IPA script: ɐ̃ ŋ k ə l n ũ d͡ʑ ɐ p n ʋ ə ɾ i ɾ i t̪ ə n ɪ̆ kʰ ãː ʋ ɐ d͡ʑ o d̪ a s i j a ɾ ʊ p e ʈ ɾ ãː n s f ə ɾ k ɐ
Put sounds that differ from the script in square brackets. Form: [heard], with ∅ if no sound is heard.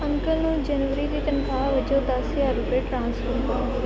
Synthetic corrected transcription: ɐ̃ ŋ k ə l n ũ d͡ʑ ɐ [∅] n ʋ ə ɾ i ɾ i t̪ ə n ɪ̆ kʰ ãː ʋ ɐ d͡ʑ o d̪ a s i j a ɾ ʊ p e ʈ ɾ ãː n s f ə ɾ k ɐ